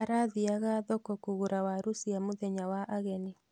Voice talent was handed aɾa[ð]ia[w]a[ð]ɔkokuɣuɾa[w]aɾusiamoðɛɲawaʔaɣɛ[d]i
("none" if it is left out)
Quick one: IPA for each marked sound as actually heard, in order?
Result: ð, ɣ, ð, w, n

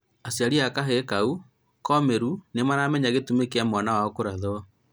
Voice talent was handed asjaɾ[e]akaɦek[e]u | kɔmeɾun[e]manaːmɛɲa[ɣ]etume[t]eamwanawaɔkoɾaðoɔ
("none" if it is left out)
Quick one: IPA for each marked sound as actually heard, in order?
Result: i, a, e, ɣ, k

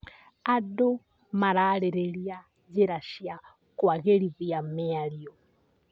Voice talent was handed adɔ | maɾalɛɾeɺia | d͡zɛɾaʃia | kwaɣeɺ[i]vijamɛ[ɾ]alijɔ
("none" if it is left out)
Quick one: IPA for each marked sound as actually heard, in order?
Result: i, none

